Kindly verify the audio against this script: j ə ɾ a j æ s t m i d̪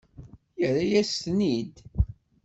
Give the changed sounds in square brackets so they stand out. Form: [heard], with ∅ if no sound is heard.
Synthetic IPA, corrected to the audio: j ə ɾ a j æ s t [n] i d̪